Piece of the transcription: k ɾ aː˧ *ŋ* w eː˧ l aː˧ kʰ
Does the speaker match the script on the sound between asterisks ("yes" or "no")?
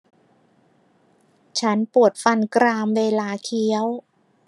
no